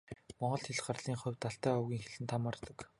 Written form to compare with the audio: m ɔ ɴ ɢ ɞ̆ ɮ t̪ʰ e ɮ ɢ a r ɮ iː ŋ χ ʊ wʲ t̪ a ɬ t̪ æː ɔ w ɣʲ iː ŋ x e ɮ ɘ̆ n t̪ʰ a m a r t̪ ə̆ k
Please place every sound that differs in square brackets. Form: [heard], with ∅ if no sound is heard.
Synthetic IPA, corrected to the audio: m ɔ ɴ ɢ ɞ̆ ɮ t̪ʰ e ɮ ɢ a r ɮ iː ŋ χ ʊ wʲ t̪ a ɬ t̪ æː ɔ w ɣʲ iː ŋ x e ɮ ɘ̆ n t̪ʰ a m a r t̪ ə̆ k